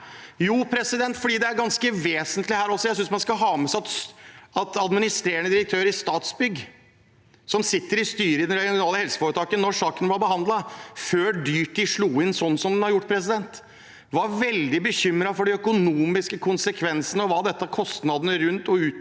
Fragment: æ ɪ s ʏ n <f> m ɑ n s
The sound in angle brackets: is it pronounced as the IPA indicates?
no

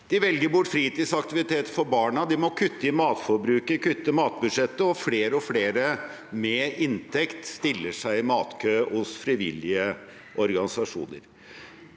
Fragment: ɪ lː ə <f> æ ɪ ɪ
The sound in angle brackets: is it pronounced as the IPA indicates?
no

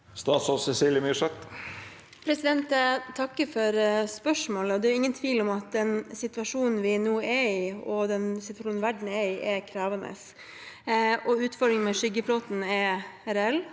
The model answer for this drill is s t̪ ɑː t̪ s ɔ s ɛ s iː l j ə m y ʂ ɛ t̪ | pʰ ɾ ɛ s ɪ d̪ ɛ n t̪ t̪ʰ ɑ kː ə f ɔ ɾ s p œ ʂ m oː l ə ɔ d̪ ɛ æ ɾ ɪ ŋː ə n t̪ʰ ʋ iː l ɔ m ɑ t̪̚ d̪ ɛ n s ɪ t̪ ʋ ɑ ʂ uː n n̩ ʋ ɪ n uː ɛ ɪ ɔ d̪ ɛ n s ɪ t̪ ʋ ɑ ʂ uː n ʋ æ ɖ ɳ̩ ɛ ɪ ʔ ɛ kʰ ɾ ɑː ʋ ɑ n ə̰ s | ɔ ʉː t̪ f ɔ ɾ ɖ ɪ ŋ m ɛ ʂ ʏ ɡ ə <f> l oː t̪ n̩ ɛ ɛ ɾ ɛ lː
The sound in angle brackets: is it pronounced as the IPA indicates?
yes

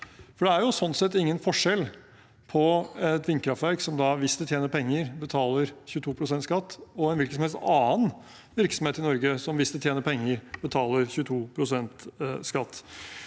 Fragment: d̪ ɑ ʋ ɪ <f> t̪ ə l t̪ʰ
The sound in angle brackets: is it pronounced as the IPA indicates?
no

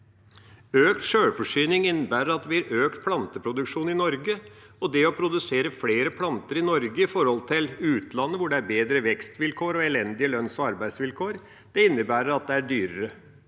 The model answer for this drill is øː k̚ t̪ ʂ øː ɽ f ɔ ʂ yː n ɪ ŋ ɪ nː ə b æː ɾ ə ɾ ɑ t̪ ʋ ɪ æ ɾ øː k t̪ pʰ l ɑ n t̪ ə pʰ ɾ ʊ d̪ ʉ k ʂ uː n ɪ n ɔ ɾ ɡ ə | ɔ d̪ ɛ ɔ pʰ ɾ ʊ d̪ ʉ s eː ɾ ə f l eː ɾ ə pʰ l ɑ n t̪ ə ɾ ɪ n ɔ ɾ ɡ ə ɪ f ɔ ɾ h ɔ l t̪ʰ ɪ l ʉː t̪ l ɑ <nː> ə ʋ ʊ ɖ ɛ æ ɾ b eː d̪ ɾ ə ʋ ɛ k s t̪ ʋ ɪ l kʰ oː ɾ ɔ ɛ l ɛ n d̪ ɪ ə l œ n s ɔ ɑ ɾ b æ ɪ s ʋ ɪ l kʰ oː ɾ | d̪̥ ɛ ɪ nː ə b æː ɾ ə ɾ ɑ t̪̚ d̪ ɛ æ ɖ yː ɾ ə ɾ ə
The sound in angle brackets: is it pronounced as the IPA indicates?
yes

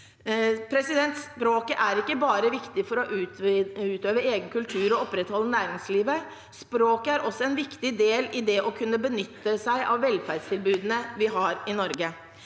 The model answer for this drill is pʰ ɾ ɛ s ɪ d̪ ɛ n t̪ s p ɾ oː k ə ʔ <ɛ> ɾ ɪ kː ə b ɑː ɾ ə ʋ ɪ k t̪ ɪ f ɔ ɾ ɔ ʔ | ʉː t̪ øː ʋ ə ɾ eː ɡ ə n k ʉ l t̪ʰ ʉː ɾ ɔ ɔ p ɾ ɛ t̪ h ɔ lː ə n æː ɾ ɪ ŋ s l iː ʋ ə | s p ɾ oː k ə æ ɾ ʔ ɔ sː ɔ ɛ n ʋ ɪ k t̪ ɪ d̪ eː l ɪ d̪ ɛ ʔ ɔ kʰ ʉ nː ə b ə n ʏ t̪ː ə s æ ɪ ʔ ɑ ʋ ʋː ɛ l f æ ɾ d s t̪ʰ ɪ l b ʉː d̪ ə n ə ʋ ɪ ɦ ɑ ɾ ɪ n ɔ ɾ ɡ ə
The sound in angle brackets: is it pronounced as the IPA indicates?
no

